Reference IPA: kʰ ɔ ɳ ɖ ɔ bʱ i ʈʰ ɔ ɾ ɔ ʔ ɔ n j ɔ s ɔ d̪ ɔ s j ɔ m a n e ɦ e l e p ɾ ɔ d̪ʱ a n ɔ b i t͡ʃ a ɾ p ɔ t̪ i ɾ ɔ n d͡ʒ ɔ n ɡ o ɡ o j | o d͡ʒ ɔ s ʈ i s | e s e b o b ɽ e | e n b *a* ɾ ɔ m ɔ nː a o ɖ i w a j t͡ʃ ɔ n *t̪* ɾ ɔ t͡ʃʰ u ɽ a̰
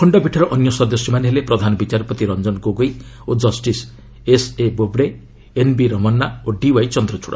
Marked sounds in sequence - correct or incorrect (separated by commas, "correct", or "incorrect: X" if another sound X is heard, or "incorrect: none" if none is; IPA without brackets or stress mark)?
incorrect: i, incorrect: d̪